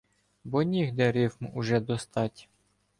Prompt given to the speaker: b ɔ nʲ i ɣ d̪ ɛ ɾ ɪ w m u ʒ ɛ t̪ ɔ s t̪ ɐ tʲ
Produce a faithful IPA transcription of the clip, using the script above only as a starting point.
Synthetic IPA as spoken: b ɔ nʲ i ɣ d̪ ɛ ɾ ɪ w m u ʒ ɛ d̪ ɔ s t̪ ɑ tʲ